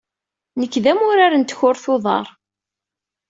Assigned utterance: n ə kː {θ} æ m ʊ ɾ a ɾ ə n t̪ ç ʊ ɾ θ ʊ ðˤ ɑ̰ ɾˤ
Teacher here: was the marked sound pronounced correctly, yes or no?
no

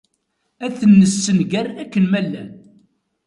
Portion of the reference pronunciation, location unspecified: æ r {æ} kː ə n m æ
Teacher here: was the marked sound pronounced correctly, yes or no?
yes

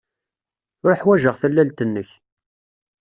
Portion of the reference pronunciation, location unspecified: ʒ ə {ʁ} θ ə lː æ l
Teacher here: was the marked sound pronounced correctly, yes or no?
yes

